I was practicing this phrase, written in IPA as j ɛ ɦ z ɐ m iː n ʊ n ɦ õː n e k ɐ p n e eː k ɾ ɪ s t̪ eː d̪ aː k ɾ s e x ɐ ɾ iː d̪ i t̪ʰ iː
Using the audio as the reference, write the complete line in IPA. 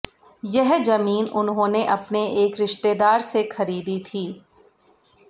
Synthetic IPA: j ɛ ɦ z ɐ m iː n ʊ n ɦ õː n e ʔ ɐ p n e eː k ɾ ɪ ʃ t̪ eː d̪ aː ɾ s e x ɐ ɾ iː d̪ i t̪ʰ iː

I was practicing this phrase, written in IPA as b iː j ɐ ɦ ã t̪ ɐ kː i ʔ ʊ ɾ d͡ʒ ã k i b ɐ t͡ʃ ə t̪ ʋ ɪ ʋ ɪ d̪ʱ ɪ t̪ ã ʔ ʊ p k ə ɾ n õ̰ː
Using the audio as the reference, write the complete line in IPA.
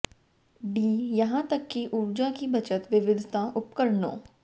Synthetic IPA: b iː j ɐ ɦ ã t̪ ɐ kː i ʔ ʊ ɾ d͡ʒ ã k i b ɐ t͡ʃ ə t̪ ʋ ɪ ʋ ɪ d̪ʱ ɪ t̪ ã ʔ ʊ p k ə ɾ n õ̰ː

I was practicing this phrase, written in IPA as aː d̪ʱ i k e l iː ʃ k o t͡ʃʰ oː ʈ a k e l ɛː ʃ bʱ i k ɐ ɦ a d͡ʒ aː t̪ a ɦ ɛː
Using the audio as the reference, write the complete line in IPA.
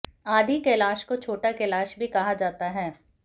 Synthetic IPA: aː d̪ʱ i k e l aː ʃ k o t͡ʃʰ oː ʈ a k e l aː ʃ bʱ i k ɐ ɦ a d͡ʒ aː t̪ a ɦ ɛː

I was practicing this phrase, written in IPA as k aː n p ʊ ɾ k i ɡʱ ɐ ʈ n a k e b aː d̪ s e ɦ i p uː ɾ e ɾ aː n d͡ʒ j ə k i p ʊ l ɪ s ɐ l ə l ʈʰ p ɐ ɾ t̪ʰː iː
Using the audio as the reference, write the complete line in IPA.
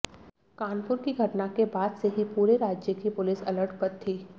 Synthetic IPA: k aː n p ʊ ɾ k i ɡʱ ɐ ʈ n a k e b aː d̪ s e ɦ i p uː ɾ e ɾ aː d͡ʒ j ə k i p ʊ l ɪ s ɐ l ə ɾ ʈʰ p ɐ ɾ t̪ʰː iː

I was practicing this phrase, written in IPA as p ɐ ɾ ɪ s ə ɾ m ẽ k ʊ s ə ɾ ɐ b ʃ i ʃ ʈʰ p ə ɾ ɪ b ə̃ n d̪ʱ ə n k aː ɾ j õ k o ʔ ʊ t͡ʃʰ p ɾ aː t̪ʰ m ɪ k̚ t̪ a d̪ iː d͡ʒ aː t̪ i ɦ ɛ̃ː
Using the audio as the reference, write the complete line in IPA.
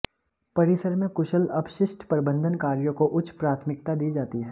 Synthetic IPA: p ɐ ɾ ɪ s ə ɾ m ẽ k ʊ ʃ ə l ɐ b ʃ ɪ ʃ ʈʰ p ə ɾ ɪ b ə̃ n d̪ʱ ə n k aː ɾ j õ k o ʔ ʊ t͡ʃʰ p ɾ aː t̪ʰ m ɪ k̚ t̪ a d̪ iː d͡ʒ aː t̪ i ɦ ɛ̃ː

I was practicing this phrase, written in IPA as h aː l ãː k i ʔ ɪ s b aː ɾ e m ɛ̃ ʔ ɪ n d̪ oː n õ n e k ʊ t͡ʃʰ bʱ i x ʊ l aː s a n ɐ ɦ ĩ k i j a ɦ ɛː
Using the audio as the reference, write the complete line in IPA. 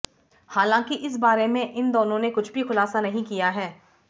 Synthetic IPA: h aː l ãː k i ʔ ɪ s b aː ɾ e m ẽ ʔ ɪ n d̪ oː n õ n e k ʊ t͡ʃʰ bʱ i x ʊ l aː s a n ɐ ɦ ĩ k i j a ɦ ɛː

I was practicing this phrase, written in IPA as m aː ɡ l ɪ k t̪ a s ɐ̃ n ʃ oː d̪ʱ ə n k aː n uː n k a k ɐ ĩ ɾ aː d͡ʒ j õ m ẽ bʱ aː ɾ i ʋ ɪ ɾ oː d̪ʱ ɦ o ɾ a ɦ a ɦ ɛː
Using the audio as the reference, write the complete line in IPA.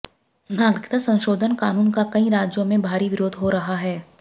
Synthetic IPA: n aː ɡ ɾ ɪ k t̪ a s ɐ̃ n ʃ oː d̪ʱ ə n k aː n uː n k a k ɐ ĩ ɾ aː d͡ʒ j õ m ẽ bʱ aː ɾ i ʋ ɪ ɾ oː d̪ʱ ɦ o ɾ ɐ ɦ a ɦ ɛː

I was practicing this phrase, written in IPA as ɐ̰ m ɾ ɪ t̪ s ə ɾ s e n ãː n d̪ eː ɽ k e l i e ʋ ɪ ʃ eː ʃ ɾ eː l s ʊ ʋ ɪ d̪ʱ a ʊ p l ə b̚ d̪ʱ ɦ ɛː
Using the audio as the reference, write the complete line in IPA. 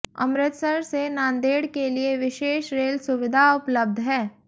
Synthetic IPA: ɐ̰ m ɾ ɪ t̪ s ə ɾ s e n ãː n d̪ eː ɽ k e l i e ʋ ɪ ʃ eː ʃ ɾ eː l s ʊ ʋ ɪ d̪ʱ a ʊ p l ə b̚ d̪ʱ ɦ ɛː

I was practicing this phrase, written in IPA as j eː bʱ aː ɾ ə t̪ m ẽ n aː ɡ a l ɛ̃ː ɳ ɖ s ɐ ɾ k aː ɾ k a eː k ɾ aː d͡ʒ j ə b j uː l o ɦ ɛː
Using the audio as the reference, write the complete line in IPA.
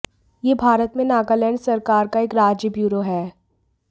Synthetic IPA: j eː bʱ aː ɾ ə t̪ m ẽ n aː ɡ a l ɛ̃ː ɳ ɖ s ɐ ɾ k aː ɾ k a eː k ɾ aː d͡ʒ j ə b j uː ɾ o ɦ ɛː

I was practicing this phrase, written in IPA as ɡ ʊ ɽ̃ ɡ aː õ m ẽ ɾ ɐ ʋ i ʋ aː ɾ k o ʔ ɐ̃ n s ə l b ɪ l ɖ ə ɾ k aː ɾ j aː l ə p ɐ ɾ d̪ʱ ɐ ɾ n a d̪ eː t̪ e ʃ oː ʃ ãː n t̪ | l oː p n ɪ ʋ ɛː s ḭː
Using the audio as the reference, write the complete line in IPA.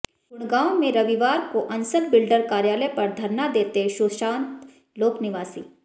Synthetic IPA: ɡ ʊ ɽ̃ ɡ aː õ m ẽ ɾ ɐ ʋ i ʋ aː ɾ k o ʔ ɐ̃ n s ə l b ɪ l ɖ ə ɾ k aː ɾ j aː l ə p ɐ ɾ d̪ʱ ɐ ɾ n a d̪ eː t̪ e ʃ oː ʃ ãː n t̪ | l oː k n ɪ ʋ aː s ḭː

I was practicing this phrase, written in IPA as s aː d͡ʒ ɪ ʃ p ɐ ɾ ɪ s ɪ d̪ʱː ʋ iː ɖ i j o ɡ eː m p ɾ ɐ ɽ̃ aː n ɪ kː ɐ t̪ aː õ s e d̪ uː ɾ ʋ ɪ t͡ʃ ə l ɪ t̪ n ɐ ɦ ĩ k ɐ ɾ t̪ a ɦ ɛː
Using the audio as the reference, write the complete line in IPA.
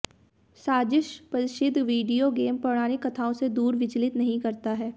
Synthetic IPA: s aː d͡ʒ ɪ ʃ p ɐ ɾ ɪ ʃ ɪ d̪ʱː ʋ iː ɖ i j o ɡ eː m p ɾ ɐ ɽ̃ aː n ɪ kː ɐ t̪ʰ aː õ s e d̪ uː ɾ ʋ ɪ t͡ʃ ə l ɪ t̪ n ɐ ɦ ĩ k ɐ ɾ t̪ a ɦ ɛː

